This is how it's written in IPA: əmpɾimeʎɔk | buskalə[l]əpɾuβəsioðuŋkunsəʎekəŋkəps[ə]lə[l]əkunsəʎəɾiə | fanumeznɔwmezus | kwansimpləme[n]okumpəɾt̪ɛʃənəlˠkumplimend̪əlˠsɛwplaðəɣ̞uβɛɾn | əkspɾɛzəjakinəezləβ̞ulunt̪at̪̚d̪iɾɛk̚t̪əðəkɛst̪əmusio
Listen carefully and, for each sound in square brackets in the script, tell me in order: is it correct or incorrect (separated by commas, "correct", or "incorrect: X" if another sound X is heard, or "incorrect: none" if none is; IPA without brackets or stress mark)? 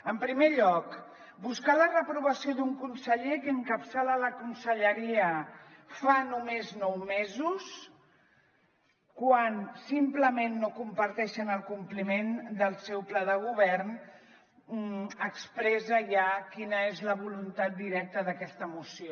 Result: incorrect: r, incorrect: a, correct, incorrect: nː